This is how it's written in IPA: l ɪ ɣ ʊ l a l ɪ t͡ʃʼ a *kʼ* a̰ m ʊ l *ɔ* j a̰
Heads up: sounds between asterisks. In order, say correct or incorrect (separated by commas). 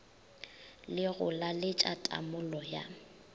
incorrect, correct